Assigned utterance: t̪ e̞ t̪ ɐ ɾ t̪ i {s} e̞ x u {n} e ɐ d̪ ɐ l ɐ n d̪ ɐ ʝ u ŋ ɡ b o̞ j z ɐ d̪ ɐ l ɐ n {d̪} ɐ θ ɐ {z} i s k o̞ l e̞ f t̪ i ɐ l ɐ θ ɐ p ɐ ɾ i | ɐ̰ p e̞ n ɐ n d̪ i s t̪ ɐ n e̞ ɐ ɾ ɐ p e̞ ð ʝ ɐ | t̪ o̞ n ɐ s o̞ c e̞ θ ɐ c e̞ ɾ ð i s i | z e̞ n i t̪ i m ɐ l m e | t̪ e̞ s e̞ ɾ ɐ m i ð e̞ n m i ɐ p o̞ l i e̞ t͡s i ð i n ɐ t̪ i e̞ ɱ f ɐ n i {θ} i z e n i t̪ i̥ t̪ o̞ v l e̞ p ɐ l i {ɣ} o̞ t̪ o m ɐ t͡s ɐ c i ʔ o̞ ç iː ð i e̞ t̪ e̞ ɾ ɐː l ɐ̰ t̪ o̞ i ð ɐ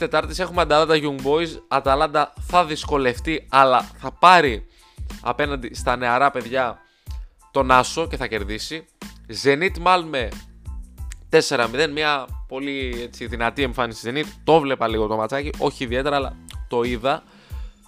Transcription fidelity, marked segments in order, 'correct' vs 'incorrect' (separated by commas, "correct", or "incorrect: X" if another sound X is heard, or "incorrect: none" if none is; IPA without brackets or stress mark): correct, incorrect: m, correct, incorrect: ð, incorrect: s, correct